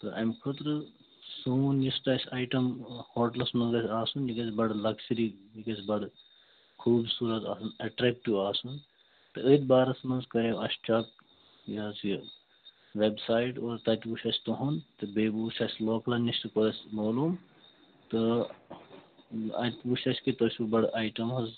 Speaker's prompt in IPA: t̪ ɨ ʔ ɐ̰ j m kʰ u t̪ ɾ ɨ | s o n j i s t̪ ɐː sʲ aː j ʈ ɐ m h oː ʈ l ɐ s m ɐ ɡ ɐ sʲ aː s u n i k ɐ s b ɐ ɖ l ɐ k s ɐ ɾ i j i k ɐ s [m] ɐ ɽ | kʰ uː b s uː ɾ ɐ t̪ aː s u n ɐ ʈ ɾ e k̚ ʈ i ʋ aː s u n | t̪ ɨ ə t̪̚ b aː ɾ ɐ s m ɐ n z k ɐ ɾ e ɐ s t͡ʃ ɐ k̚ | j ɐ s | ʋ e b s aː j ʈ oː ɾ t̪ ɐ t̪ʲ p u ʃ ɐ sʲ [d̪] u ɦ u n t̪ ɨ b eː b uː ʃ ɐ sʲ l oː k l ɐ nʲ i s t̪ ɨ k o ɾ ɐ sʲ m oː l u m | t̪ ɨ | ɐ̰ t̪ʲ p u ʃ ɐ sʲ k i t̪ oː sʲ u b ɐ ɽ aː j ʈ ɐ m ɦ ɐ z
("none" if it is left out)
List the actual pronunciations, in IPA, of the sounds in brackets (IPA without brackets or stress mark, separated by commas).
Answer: b, t̪